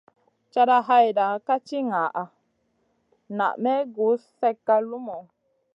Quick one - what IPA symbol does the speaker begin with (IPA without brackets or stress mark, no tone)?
t͡ʃ